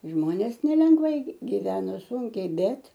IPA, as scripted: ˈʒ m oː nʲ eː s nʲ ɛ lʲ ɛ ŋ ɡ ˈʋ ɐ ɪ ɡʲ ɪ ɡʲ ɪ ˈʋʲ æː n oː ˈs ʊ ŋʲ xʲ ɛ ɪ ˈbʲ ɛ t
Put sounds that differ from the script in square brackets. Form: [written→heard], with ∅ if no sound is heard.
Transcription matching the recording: ˈʒ m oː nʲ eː s nʲ ɛ lʲ ɛ ŋ ɡ ˈʋ ɐ ɪ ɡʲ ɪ ɡʲ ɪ ˈʋʲ æː n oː ˈs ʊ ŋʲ [xʲ→kʲ] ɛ ɪ ˈbʲ ɛ t